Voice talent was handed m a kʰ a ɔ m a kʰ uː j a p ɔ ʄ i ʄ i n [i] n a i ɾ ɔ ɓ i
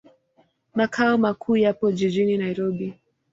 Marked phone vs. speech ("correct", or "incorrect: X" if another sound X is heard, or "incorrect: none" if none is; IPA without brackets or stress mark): correct